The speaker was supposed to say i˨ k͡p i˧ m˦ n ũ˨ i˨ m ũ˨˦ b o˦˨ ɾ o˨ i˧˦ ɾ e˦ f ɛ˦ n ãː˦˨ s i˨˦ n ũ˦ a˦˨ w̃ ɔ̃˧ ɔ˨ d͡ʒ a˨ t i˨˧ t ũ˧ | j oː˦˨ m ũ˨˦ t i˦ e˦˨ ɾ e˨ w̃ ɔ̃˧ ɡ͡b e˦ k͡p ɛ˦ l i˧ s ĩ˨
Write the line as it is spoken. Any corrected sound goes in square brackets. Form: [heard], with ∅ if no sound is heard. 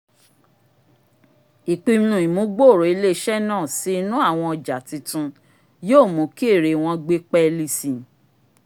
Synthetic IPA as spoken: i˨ k͡p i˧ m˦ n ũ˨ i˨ m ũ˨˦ [ɡ͡b] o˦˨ ɾ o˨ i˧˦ [l] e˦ [ʃ] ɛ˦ n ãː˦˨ s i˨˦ n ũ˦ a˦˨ w̃ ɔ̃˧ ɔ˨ d͡ʒ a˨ t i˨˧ t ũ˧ | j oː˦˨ m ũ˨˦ [k] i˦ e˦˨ ɾ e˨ w̃ ɔ̃˧ ɡ͡b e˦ k͡p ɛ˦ l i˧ s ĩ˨